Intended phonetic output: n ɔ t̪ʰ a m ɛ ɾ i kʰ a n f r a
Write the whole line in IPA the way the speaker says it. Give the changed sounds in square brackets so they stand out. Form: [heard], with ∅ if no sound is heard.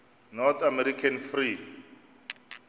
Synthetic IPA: n ɔ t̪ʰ a m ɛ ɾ i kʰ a n f r [i]